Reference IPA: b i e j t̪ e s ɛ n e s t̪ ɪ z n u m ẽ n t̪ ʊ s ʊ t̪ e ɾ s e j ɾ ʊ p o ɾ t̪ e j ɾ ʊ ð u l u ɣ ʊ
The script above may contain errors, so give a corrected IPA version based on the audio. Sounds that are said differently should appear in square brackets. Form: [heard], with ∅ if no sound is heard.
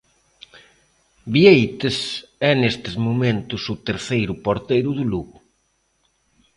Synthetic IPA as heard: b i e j t̪ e s ɛ n e s t̪ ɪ z [m] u m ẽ n t̪ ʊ s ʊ t̪ e ɾ [θ] e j ɾ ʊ p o ɾ t̪ e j ɾ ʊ ð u l u ɣ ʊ